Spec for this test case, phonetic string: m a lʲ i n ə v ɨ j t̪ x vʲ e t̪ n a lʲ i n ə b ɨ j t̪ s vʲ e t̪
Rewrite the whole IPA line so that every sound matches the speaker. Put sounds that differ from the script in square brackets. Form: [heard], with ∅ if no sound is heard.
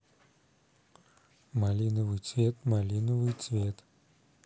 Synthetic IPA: m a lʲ i n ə v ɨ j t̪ [s] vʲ e t̪ [m] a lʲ i n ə [v] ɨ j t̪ s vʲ e t̪